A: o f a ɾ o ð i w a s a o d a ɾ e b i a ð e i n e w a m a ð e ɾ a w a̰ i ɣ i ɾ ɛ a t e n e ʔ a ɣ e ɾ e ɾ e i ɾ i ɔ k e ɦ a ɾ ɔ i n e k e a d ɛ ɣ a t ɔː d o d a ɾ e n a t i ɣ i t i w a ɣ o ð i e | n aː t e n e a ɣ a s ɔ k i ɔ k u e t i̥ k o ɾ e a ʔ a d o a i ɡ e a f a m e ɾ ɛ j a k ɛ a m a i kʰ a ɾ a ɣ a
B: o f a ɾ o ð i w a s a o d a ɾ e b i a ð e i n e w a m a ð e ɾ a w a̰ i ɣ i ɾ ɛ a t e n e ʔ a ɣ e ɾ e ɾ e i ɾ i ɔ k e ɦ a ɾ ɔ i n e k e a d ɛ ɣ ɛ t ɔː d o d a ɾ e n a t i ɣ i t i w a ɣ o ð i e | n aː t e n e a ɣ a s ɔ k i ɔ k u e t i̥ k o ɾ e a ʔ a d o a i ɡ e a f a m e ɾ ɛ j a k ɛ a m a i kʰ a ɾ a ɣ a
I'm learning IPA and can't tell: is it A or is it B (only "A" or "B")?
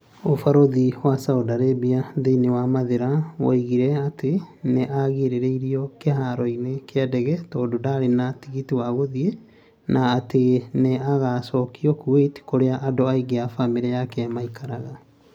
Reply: B